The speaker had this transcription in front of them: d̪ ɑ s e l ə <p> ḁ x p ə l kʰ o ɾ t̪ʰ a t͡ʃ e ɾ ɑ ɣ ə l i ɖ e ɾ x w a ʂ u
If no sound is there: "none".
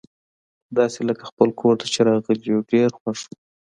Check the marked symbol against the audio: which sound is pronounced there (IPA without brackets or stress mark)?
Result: k